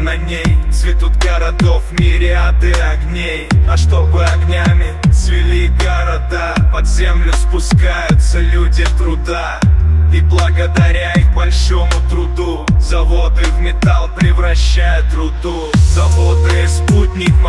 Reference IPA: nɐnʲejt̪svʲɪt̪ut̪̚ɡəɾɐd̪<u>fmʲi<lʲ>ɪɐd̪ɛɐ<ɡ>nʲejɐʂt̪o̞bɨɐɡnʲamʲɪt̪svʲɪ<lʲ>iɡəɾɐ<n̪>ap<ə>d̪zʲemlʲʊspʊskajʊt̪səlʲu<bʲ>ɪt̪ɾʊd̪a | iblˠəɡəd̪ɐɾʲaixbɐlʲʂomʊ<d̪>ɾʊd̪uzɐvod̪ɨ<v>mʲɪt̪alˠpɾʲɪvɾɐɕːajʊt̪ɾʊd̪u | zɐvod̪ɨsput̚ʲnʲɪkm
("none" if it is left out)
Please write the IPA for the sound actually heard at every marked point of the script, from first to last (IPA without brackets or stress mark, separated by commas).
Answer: o, ɾʲ, ɡ, lʲ, d̪, ɐ, dʲ, t̪, v